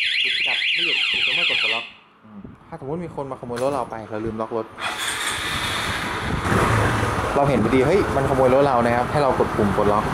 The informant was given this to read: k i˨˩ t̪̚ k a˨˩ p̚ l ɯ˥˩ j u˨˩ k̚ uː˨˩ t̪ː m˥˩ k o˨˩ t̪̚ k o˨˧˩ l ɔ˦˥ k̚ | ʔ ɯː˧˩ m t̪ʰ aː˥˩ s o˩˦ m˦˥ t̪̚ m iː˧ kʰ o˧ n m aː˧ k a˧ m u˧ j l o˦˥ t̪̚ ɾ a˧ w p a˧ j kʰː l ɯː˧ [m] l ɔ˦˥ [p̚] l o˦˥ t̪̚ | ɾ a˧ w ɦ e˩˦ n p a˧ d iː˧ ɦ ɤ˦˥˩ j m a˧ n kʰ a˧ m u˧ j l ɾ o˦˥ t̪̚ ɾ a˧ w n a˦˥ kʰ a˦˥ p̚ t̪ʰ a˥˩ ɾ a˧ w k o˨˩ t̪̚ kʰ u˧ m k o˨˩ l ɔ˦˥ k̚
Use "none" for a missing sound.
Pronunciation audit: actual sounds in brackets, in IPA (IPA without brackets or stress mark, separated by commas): m, k̚